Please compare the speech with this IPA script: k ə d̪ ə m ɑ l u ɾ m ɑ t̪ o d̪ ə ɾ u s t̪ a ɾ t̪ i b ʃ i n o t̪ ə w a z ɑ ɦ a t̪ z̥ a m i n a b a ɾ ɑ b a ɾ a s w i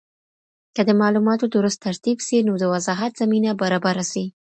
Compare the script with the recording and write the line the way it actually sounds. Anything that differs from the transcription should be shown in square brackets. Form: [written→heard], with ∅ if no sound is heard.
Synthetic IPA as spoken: k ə d̪ ə m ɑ l u [ɾ→∅] m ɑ t̪ o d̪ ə ɾ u s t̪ a ɾ t̪ i b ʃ i n o [t̪→d̪] ə w a z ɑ ɦ a t̪ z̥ a m i n a b a ɾ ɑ b a ɾ a s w i